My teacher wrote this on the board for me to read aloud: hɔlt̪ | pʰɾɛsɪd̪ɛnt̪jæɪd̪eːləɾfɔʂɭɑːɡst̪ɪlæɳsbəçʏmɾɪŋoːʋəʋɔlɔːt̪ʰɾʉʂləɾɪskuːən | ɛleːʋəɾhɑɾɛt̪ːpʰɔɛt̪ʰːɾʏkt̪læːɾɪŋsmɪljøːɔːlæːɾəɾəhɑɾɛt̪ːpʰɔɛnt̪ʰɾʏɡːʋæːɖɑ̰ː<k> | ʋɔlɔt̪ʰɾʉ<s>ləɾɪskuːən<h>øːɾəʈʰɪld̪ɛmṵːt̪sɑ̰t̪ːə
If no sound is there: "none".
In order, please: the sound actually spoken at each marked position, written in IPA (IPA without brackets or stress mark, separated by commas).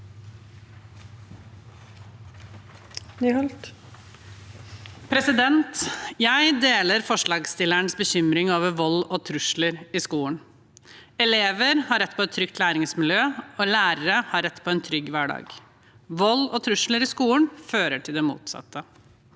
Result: ɡ, ʂ, f